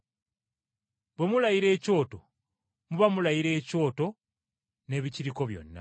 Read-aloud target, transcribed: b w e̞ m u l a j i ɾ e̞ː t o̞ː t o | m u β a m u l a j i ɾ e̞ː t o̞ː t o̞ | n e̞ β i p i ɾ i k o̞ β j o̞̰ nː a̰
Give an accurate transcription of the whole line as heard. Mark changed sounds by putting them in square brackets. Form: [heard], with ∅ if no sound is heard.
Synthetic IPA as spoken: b w e̞ m u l a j i ɾ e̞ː [c] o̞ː t o | m u β a m u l a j i ɾ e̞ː [c] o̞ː t o̞ | n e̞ β i [c] i ɾ i k o̞ β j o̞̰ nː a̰